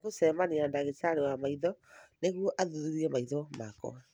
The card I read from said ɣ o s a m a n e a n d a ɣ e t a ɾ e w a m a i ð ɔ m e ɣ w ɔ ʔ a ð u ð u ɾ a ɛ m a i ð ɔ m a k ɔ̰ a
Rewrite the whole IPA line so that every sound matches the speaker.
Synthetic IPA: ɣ o s ɛ m a n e a n d a ɣ e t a ɾ e w a m a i ð ɔ n e ɣ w ɔ ʔ a ð u ð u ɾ i ɛ m a i ð ɔ m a k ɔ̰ a